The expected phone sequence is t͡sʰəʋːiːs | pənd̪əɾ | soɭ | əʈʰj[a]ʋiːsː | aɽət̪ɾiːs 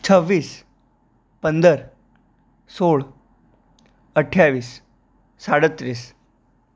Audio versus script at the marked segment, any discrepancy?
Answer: no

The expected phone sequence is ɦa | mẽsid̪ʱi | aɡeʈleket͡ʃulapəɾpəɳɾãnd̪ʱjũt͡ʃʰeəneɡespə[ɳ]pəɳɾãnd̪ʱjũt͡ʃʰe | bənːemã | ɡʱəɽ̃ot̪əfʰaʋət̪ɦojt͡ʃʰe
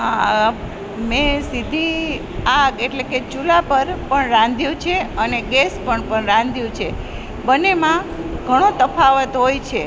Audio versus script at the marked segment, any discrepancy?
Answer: no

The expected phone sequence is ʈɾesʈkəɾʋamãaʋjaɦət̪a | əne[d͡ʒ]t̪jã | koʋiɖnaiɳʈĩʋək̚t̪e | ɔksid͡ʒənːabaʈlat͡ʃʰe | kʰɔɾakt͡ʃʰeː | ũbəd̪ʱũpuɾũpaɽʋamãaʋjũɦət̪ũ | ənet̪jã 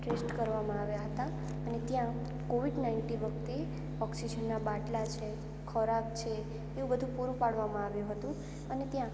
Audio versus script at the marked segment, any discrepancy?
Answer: yes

